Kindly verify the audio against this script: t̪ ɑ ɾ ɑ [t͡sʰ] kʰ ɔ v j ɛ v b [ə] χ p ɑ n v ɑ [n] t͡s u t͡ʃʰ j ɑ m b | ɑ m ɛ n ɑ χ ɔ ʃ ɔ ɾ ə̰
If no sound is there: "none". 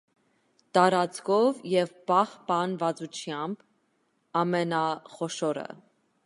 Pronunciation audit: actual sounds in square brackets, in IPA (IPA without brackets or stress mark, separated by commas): t͡s, ɑ, none